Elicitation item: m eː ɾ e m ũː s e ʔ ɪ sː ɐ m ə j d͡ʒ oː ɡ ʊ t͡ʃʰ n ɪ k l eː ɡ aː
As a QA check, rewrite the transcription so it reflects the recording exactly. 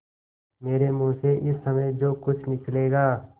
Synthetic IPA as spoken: m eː ɾ e m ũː s e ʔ ɪ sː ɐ m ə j d͡ʒ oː k ʊ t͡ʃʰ n ɪ k l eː ɡ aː